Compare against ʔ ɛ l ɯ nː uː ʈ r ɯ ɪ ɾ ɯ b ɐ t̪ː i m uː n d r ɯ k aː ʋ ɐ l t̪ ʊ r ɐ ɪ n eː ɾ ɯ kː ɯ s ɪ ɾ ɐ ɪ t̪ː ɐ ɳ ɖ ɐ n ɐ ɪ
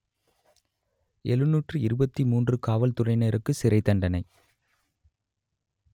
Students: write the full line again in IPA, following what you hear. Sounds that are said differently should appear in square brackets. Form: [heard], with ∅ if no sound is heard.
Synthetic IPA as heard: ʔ ɛ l ɯ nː uː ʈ r ɯ ɪ ɾ ɯ b ɐ t̪ː i m uː n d r ɯ k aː ʋ ɐ l t̪ ʊ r ɐ ɪ n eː ɾ ɯ kː ɯ s ɪ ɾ ɐ ɪ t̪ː ɐ ɳ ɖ ɐ n ɐ ɪ